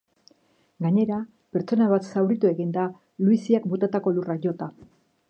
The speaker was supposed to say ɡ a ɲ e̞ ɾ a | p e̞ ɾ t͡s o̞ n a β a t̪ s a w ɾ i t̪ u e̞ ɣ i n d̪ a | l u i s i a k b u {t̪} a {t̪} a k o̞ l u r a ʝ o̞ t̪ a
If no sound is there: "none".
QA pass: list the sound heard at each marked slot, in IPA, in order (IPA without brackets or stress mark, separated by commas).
t̪, t̪